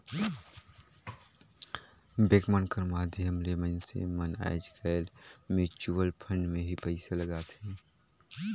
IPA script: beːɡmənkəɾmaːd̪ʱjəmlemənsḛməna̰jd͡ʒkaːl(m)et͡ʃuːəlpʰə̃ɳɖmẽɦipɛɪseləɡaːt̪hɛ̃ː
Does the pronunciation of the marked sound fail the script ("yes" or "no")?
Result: no